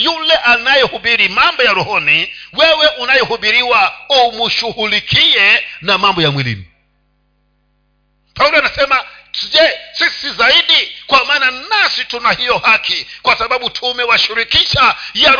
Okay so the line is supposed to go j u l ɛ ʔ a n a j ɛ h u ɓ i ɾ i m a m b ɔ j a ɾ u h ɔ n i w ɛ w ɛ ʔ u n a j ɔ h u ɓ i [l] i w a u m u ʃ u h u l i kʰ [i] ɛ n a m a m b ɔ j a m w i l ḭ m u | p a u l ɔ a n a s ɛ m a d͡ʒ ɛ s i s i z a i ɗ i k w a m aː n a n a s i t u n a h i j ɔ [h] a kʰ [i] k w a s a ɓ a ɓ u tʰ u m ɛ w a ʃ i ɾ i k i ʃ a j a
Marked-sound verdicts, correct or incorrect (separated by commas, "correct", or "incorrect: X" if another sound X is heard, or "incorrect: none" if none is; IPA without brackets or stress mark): incorrect: ɾ, correct, correct, correct